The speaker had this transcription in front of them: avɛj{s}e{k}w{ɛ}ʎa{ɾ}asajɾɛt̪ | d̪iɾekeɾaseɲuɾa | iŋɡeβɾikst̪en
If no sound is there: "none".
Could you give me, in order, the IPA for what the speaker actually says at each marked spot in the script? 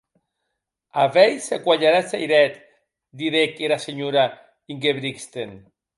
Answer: s, k, a, ɾ

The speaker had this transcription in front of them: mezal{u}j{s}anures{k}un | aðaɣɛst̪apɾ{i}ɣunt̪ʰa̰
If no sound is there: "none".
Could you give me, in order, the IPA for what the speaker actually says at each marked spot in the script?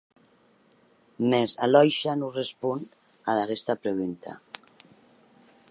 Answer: ɔ, ʃ, p, e

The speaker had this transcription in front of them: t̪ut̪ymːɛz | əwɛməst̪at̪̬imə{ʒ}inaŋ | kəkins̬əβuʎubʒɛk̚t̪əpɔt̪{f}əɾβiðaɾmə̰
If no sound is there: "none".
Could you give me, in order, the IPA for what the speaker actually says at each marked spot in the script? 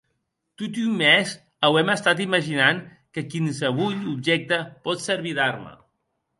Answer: ʒ, s

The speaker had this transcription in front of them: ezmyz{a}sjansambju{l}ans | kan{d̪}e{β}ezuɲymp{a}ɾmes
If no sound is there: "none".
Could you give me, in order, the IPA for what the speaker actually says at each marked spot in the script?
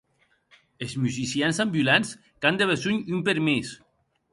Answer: i, l, d̪, β, e

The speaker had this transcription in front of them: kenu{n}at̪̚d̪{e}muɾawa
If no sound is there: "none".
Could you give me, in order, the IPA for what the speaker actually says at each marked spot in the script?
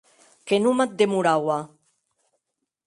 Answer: m, e

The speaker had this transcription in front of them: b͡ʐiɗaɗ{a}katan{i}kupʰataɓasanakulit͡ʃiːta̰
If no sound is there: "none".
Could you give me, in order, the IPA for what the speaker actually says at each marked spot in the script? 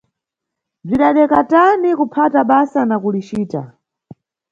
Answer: ɛ, i

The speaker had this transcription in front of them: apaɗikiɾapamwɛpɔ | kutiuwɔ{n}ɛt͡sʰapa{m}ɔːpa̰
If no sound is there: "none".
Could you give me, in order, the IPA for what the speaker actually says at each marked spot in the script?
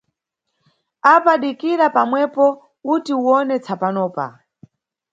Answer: n, n

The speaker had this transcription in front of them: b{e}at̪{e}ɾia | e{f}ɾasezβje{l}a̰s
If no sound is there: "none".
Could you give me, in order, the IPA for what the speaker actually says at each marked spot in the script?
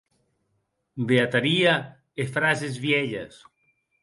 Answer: e, a, f, ʎ

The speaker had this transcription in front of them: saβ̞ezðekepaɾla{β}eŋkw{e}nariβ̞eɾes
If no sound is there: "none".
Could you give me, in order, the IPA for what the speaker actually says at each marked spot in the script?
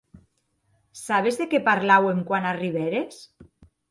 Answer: w, a

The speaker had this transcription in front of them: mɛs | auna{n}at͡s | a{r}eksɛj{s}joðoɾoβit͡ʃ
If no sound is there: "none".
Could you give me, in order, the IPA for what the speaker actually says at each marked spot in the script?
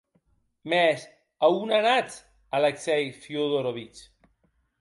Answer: n, l, f

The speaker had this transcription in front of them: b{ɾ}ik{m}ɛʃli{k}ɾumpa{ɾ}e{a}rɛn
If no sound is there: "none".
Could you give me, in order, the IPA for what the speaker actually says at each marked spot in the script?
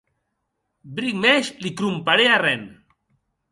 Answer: ɾ, m, k, ɾ, a

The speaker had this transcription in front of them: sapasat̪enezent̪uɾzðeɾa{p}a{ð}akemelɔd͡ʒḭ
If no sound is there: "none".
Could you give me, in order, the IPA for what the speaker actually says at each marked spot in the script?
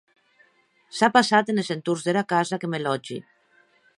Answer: k, z

